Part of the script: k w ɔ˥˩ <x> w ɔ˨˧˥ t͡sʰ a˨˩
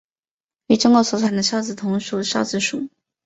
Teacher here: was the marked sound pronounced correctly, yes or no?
no